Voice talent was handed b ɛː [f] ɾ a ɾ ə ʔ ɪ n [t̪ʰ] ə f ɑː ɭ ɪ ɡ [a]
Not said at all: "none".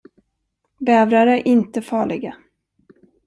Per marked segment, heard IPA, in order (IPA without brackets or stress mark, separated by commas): v, t̪, a